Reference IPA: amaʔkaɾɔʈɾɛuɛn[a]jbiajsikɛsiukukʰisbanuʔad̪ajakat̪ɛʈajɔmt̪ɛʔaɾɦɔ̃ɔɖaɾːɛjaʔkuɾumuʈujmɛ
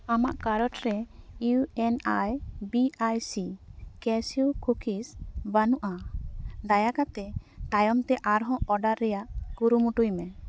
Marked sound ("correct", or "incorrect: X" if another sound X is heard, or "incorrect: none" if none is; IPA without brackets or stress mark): correct